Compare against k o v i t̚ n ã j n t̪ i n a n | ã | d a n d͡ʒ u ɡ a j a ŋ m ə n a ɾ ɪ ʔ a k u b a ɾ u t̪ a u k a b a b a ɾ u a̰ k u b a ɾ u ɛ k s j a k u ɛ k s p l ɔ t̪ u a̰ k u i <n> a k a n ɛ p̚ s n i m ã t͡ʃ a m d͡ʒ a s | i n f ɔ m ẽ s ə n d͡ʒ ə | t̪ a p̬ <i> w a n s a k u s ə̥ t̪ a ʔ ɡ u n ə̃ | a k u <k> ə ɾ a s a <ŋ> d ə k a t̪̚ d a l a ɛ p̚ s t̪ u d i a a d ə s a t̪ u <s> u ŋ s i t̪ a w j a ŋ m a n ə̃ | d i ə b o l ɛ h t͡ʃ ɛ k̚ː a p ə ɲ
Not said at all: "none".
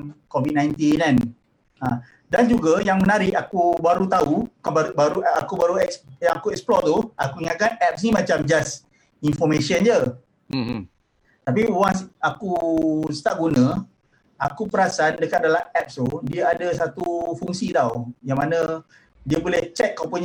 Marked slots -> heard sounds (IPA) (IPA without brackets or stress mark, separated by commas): ŋ, i, p, n, f